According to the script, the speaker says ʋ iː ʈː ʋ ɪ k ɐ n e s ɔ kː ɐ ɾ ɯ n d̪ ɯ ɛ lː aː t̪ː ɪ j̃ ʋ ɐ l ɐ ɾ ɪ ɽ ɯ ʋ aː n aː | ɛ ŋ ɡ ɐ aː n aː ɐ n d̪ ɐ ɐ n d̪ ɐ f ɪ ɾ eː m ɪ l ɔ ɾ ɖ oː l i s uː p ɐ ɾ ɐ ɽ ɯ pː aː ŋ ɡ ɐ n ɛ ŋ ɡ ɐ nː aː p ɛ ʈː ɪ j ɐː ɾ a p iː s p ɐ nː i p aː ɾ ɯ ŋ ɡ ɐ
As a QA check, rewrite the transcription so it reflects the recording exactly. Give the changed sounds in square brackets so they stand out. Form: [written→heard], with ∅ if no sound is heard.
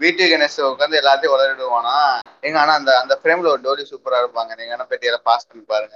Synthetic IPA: ʋ iː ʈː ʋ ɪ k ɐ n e s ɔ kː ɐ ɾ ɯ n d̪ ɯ ɛ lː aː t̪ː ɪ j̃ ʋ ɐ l ɐ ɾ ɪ ɽ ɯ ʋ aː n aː | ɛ ŋ ɡ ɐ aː n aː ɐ n d̪ ɐ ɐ n d̪ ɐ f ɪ ɾ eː m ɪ l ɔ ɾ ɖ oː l i s uː p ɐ ɾ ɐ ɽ ɯ pː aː ŋ ɡ ɐ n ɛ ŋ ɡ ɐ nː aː p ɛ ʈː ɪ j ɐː [ɾ→l] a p [iː→aː] s p ɐ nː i p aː ɾ ɯ ŋ ɡ ɐ